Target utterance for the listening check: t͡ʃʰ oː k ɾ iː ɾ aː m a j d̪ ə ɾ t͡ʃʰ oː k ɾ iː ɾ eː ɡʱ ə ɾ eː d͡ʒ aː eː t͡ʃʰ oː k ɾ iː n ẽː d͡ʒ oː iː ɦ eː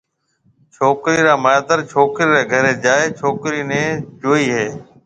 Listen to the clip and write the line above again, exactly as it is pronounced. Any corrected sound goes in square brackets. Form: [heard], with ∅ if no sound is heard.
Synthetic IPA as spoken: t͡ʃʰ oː k ɾ iː ɾ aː m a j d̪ ə ɾ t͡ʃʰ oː k ɾ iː ɾ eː ɡʱ ə ɾ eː d͡ʒ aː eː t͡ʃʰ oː k ɾ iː n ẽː d͡ʒ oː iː ɦ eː